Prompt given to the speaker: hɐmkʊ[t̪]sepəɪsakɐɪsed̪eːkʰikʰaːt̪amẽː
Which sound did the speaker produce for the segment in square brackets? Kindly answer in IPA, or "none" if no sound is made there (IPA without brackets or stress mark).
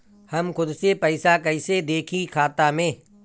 d̪